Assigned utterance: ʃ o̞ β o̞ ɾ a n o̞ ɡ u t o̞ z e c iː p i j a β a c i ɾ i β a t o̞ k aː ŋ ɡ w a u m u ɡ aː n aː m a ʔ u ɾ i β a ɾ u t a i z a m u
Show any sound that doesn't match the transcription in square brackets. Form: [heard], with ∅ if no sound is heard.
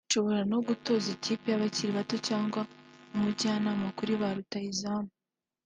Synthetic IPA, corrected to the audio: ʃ o̞ β o̞ ɾ a n o̞ ɡ u t o̞ z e c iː p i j a β a c i ɾ i β a t o̞ [c] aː ŋ ɡ w a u m u [ɟ] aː n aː m a [k] u ɾ i β a ɾ u t a i z a m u